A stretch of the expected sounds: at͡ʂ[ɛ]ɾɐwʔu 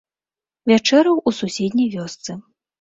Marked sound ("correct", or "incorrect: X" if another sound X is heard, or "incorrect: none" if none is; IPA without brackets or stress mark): correct